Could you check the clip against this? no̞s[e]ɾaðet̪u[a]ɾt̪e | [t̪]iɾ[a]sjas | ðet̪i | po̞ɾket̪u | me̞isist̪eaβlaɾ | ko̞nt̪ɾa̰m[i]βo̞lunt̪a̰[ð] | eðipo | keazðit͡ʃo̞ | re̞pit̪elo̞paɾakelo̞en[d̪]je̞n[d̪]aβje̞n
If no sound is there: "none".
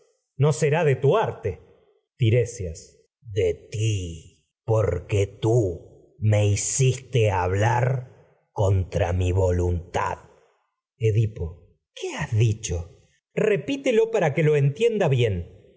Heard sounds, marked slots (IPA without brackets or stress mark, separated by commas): e, a, t̪, e, i, ð, t̪, d̪